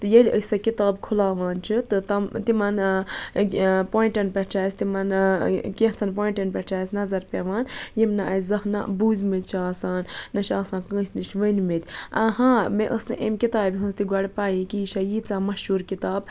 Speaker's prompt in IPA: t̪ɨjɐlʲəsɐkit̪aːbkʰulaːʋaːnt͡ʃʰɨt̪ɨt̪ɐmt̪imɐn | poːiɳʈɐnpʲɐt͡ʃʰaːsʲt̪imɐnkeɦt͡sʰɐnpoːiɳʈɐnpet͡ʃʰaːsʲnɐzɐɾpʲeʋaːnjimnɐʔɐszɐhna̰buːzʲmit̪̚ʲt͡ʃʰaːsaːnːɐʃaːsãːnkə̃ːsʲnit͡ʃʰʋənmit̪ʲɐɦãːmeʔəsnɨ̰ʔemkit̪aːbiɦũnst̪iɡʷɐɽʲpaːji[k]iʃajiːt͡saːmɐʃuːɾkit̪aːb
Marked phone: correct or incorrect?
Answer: correct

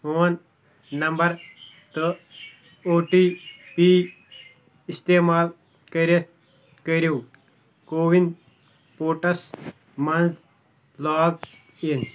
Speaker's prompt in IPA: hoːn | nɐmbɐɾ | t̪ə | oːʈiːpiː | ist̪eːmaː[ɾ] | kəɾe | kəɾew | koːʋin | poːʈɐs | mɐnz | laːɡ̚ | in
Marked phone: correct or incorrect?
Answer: incorrect: l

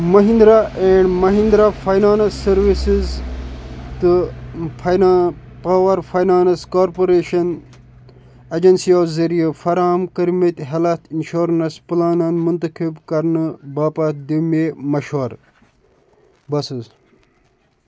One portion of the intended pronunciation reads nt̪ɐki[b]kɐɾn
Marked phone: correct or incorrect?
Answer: correct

